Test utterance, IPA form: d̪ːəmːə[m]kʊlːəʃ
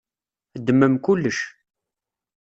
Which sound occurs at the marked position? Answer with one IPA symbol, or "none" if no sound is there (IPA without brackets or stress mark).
m